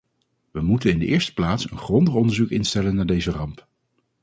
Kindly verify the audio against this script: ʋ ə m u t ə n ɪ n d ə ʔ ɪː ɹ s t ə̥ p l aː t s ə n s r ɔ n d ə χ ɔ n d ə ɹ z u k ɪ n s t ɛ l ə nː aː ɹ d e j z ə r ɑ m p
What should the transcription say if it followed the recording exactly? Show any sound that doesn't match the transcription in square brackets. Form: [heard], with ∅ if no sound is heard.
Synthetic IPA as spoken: ʋ ə m u t ə n ɪ n d ə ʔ ɪː ɹ s t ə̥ p l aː t s ə n [χ] r ɔ n d ə χ ɔ n d ə ɹ z u k ɪ n s t ɛ l ə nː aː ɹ d e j z ə r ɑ m p